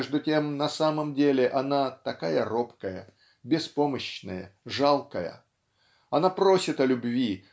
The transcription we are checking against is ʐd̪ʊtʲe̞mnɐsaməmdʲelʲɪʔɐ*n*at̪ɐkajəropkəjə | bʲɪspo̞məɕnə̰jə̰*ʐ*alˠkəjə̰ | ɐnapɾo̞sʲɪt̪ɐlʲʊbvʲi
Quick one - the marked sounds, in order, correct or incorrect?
correct, correct

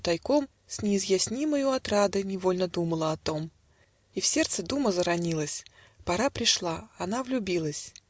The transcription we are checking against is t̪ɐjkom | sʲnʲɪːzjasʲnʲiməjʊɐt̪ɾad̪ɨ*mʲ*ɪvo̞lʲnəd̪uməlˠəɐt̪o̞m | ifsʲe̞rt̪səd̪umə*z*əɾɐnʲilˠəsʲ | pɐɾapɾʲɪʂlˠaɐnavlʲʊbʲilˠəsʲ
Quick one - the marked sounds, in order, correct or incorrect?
incorrect: nʲ, correct

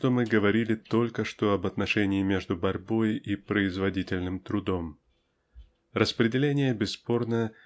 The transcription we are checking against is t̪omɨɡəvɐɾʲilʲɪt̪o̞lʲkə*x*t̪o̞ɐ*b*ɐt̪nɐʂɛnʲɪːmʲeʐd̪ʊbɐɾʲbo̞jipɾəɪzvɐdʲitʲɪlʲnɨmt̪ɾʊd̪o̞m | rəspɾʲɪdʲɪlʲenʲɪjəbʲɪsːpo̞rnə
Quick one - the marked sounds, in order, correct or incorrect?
incorrect: ʂ, correct

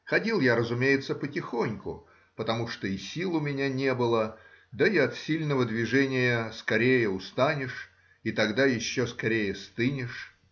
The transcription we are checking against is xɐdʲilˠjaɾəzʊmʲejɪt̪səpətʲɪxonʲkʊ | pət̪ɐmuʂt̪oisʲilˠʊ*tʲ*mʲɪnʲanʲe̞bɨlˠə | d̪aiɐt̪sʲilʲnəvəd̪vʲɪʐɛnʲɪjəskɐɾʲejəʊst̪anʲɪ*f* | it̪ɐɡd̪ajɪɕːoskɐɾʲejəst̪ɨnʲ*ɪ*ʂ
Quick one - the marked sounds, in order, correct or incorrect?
incorrect: none, incorrect: ʂ, correct

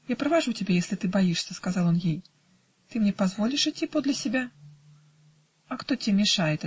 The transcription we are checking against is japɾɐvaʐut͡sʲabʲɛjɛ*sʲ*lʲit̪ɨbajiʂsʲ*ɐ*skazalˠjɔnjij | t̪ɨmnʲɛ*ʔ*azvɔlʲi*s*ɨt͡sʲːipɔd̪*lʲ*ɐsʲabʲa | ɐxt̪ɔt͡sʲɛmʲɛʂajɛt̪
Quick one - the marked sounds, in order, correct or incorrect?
correct, correct, incorrect: p, incorrect: ʂ, correct

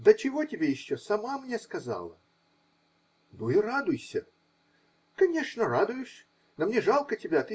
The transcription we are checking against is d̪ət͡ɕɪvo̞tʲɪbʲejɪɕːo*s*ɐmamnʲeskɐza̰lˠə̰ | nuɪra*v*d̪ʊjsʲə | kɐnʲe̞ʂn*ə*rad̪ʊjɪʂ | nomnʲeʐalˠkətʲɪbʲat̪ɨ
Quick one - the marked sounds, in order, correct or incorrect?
correct, incorrect: none, correct

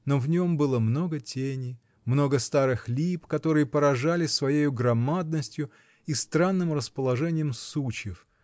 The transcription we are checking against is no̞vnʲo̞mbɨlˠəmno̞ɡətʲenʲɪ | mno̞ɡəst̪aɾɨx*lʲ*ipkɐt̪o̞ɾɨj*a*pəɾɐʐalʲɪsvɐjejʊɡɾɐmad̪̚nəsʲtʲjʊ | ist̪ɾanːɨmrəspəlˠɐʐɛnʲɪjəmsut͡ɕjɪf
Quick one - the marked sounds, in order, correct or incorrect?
correct, incorrect: ə

